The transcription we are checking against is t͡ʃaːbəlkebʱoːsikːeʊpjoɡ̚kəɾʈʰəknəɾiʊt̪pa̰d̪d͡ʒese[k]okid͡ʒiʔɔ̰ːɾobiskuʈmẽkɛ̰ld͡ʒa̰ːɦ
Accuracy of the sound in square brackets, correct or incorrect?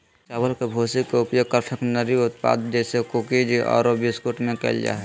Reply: correct